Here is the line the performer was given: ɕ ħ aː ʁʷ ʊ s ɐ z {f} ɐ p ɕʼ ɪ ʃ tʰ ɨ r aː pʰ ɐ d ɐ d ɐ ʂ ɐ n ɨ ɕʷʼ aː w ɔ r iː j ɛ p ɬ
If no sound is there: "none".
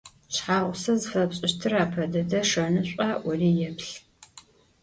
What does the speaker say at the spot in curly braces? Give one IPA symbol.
f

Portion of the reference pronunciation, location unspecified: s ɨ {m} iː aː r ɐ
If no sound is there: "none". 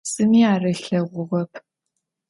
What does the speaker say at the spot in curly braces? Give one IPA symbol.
m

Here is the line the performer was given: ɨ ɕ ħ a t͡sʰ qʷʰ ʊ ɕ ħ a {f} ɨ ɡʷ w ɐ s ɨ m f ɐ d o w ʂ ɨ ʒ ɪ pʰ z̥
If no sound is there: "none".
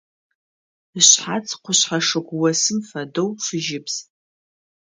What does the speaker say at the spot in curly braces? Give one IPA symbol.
ʂ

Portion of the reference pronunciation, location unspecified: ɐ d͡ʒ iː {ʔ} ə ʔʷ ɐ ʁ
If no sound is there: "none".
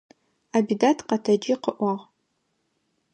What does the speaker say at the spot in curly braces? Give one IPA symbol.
q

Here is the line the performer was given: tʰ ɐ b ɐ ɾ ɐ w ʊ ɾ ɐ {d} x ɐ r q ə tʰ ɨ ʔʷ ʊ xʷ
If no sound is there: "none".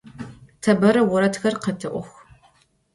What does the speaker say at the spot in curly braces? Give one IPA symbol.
t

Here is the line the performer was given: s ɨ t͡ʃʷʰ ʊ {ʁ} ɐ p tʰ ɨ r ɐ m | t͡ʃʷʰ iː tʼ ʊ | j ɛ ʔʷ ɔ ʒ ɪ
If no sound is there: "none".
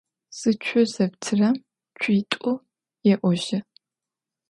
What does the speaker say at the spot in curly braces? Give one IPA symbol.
z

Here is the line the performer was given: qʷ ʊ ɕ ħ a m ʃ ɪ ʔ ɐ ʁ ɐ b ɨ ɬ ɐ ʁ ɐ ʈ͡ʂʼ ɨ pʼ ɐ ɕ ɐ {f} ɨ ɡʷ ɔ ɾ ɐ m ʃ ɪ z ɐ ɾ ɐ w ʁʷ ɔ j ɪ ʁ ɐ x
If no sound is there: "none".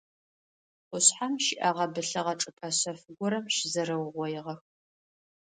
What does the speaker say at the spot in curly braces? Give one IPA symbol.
f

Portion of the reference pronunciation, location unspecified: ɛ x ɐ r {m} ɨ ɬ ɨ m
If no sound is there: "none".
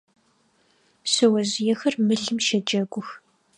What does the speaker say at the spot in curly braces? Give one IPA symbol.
m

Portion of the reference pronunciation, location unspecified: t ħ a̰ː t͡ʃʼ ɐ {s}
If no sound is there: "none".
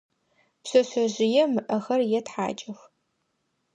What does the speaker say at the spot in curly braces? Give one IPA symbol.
x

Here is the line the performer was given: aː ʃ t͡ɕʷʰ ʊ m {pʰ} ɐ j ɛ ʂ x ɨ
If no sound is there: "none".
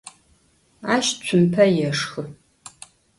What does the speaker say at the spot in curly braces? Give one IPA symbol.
pʰ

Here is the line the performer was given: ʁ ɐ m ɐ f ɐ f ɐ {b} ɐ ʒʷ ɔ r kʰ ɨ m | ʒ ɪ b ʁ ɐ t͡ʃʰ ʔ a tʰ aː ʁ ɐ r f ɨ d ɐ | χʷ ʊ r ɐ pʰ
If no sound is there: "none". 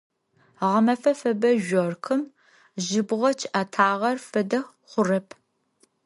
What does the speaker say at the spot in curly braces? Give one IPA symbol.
b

